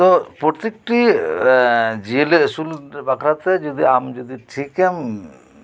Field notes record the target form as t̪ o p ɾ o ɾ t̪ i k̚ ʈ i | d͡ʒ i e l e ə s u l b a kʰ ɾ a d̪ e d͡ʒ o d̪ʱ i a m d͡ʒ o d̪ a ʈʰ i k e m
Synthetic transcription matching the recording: t̪ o p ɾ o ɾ t̪ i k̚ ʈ i | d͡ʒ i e l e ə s u l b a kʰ ɾ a t̪ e d͡ʒ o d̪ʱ i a m d͡ʒ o d̪ i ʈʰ i k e m